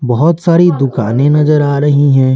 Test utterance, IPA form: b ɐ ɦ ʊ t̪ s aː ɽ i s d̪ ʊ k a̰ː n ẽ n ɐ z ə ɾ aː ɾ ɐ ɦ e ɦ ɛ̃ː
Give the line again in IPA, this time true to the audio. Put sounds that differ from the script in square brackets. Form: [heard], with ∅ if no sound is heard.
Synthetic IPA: b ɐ ɦ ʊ t̪ s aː [ɾ] i [∅] d̪ ʊ k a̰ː n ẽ n ɐ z ə ɾ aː ɾ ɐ ɦ [i] ɦ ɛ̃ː